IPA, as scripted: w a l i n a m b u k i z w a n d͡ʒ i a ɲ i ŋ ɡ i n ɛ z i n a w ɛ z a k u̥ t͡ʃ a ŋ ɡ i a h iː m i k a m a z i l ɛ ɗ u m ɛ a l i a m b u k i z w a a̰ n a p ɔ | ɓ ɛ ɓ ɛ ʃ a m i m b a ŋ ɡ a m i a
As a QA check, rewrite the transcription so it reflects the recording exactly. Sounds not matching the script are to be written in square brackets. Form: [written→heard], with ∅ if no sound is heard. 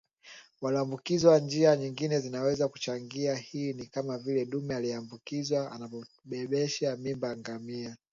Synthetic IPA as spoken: w a l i [n→∅] a m b u k i z w a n d͡ʒ i a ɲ i ŋ ɡ i n ɛ z i n a w ɛ z a k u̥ t͡ʃ a ŋ ɡ i a h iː [m→n] i k a m a [z→v] i l ɛ ɗ u m ɛ a l i a m b u k i z w a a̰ n a p ɔ | ɓ ɛ ɓ ɛ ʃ a m i m b a ŋ ɡ a m i a